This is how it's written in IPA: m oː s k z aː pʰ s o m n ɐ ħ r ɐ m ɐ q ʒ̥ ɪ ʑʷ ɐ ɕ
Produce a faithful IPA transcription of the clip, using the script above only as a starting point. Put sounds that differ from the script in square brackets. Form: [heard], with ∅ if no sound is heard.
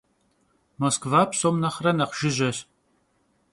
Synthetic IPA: m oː s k [v] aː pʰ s o m n ɐ [χ] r ɐ [n] ɐ q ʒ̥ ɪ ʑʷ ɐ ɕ

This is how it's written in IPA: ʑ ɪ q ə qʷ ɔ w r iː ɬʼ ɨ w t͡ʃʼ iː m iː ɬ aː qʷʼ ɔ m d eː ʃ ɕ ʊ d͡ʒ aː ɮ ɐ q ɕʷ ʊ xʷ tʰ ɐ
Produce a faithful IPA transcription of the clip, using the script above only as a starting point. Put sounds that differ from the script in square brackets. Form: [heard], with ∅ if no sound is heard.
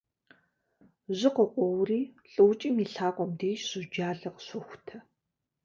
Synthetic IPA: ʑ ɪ q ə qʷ ɔ w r iː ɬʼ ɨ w t͡ʃʼ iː m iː ɬ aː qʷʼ ɔ m d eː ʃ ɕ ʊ d͡ʒ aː ɮ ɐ q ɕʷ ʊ xʷ tʰ ɐ

